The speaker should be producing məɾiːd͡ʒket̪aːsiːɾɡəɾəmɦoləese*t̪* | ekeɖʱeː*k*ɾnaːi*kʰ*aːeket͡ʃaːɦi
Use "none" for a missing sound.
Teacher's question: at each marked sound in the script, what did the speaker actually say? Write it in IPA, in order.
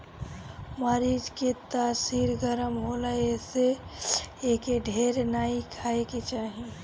none, none, kʰ

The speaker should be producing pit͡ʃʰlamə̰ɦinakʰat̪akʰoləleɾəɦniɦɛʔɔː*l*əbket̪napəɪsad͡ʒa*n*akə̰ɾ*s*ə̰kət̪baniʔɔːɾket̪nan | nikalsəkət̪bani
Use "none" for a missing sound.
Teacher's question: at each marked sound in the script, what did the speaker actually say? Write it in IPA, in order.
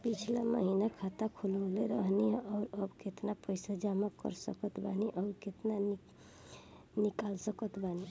ɾ, m, s

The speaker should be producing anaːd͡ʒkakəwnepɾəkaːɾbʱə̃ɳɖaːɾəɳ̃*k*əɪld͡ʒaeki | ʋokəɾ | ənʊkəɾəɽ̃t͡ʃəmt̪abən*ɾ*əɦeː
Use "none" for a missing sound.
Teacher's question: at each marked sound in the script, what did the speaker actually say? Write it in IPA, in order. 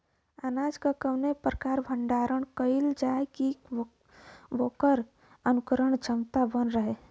k, ɾ

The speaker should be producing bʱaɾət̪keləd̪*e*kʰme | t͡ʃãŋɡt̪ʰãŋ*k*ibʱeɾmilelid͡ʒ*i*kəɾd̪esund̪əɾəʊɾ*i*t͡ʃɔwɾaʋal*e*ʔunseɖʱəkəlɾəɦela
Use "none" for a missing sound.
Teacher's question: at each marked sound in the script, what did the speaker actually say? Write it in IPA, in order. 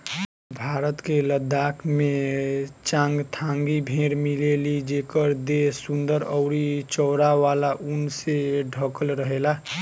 a, ɡ, e, i, a

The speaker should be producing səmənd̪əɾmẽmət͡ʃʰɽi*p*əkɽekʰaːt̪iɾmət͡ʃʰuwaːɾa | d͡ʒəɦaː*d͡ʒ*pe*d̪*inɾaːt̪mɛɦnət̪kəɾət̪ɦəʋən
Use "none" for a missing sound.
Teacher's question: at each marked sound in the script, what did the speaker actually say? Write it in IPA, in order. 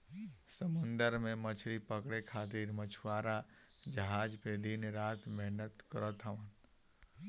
p, d͡ʒ, d̪

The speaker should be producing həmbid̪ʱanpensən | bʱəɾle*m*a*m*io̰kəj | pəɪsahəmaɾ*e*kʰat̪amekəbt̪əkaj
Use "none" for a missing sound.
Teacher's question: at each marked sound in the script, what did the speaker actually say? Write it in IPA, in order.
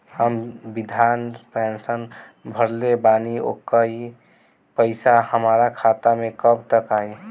b, n, a

